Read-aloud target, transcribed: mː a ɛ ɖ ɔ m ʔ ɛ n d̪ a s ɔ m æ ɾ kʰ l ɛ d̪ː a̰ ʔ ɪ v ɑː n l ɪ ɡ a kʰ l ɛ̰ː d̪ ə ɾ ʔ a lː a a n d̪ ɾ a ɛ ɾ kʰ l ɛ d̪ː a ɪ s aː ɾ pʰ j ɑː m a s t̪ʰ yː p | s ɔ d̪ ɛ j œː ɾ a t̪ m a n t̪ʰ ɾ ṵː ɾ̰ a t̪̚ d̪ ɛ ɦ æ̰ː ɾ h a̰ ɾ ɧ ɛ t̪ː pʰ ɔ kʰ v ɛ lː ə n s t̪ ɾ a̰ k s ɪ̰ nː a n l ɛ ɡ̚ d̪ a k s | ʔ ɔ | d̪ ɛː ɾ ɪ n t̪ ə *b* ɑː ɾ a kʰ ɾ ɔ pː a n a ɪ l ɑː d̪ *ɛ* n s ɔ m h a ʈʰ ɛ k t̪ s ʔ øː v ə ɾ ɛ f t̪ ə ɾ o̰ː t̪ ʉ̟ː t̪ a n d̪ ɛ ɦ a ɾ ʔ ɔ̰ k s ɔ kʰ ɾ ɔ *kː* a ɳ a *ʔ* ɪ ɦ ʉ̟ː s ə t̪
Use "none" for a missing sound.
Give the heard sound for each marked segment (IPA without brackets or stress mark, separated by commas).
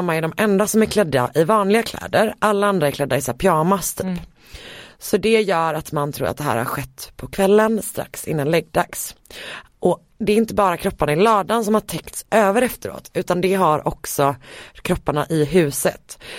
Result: b, a, pː, ʔ